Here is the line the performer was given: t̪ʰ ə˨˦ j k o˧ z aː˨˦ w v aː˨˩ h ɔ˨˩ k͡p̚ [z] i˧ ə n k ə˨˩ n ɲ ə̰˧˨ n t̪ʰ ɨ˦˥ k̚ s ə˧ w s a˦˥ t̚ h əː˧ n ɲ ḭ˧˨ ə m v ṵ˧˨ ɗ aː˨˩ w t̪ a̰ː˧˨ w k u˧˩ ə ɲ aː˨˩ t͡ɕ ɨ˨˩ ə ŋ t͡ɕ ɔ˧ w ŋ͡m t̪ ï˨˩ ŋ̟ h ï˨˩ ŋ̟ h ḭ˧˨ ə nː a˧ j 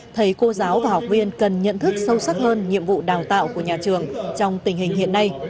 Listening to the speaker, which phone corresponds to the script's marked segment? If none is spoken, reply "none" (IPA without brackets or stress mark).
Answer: v